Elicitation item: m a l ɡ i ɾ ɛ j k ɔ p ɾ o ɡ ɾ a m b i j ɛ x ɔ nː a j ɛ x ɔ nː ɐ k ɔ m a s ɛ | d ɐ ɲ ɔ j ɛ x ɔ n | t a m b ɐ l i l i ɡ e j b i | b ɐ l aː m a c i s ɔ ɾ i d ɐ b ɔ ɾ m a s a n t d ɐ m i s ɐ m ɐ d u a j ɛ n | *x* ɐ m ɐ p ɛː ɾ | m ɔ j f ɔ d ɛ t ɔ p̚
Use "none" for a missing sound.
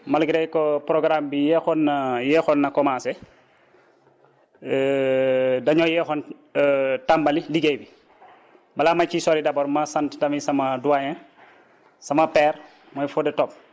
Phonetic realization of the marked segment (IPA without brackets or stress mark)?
s